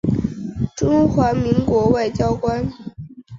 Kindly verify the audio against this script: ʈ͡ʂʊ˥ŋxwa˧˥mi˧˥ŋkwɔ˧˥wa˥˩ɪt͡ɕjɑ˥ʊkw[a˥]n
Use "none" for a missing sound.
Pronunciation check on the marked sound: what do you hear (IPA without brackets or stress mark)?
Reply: a˥